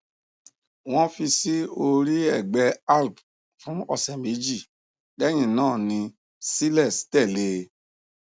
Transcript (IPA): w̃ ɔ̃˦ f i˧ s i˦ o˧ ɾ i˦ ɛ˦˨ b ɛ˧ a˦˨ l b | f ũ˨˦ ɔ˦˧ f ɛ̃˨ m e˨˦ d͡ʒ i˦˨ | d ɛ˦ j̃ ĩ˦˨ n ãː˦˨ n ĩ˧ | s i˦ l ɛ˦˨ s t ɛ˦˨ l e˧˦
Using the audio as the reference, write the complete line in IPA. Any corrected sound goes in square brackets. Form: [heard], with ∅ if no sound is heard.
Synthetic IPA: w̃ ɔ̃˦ f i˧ s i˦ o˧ ɾ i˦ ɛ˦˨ [ɡ͡b] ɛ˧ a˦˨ l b | f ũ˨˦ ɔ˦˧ [s] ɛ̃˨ m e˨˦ d͡ʒ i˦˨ | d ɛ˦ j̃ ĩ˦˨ n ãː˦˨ n ĩ˧ | s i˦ l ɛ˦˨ s t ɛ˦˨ l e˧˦